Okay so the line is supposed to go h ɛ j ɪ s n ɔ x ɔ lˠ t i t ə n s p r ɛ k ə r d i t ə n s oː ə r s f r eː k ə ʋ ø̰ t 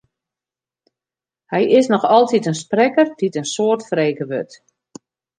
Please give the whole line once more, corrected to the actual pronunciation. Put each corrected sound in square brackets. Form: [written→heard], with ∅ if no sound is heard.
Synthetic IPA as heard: h ɛ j ɪ s n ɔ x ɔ lˠ t i t ə n s p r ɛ k ə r d i t ə n s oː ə r [s→t] f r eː k ə ʋ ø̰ t